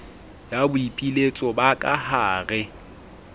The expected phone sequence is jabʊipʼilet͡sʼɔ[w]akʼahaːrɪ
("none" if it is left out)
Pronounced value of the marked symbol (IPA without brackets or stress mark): b